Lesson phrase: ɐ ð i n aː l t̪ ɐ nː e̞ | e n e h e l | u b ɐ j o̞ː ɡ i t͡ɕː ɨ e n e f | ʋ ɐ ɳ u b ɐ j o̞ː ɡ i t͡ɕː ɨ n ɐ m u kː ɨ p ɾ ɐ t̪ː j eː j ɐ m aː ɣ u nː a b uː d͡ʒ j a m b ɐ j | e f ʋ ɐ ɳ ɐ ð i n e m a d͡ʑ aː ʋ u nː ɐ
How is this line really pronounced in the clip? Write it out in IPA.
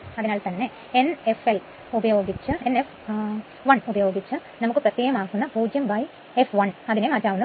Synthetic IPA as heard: ɐ ð i n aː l t̪ ɐ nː e̞ | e n e f e l | u b ɐ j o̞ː ɡ i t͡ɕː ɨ e n e f | ʋ ɐ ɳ u b ɐ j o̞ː ɡ i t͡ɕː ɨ n ɐ m u kː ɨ p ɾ ɐ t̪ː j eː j ɐ m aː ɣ u nː ɐ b uː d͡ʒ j ɐ m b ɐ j | e f ʋ ɐ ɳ ɐ ð i n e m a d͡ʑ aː ʋ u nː ɐ